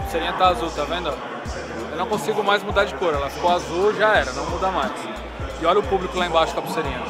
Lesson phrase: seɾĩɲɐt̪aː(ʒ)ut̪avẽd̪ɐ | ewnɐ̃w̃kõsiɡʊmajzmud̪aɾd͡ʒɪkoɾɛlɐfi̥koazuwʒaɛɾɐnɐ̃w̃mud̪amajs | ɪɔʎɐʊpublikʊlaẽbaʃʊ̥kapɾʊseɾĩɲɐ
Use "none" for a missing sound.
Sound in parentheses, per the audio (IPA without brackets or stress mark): z